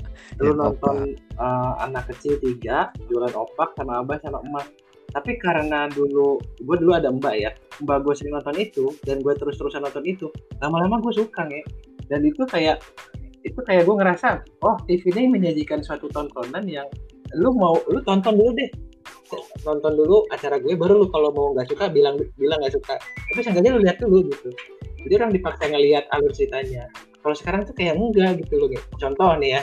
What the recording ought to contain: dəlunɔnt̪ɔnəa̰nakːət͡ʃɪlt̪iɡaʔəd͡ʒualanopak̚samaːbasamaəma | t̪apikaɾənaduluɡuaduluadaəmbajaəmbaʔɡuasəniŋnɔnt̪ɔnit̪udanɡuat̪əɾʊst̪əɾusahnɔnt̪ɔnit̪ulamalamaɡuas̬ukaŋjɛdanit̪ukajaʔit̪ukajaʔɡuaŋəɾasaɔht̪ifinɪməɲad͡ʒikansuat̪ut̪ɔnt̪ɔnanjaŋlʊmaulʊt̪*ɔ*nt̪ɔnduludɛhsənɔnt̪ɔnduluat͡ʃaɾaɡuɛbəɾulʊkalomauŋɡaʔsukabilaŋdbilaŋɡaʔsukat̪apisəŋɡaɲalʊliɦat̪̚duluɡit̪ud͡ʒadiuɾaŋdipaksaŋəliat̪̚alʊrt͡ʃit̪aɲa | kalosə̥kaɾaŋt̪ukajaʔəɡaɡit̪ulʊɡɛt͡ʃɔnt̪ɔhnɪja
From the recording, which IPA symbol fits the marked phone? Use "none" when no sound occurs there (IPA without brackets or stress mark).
ɔ